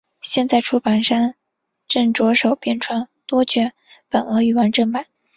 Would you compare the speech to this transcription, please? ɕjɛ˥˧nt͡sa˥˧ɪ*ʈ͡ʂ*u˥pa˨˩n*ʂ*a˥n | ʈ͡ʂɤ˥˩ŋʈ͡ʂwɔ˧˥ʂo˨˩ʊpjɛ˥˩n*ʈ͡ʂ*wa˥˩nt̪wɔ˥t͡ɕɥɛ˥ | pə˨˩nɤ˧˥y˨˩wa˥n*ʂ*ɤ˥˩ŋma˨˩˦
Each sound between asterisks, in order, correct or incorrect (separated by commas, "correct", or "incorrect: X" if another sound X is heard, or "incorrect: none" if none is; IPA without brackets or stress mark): incorrect: ʈ͡ʂʰ, correct, incorrect: ʈ͡ʂʰ, incorrect: ʈ͡ʂ